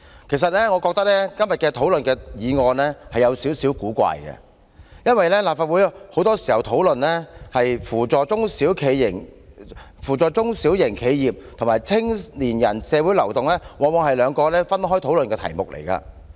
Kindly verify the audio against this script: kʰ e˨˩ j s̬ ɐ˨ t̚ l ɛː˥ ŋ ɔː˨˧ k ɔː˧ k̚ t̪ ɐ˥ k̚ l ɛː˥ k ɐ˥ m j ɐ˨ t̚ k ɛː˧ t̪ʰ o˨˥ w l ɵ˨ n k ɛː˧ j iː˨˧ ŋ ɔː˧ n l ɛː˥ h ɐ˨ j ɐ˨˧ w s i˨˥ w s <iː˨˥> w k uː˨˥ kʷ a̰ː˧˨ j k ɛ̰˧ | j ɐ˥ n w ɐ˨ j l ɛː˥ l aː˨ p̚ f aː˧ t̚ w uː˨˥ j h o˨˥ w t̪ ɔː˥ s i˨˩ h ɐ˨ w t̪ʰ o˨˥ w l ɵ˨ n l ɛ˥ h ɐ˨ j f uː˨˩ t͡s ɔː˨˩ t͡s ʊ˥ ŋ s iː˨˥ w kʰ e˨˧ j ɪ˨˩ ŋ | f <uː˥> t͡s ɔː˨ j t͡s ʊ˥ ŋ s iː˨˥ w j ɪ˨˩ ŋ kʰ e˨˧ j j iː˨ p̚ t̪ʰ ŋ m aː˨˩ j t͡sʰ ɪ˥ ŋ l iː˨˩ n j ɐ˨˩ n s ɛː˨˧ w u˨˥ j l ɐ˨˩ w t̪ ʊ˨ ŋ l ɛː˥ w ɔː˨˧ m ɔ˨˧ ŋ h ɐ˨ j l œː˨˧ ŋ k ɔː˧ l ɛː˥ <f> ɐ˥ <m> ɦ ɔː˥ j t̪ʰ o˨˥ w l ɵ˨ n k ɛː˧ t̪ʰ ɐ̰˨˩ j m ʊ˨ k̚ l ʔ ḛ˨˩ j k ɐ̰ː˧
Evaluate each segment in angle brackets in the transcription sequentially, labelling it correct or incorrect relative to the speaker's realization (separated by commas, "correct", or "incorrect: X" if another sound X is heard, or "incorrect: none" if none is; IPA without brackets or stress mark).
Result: correct, incorrect: uː˨˩, correct, incorrect: n